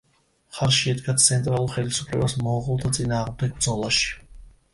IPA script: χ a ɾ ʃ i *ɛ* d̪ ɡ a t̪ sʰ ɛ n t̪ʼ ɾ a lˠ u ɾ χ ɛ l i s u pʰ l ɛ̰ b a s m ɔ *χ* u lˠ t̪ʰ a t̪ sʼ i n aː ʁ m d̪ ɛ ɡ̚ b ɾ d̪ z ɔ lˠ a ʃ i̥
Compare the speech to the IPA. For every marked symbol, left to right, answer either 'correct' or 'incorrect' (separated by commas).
correct, incorrect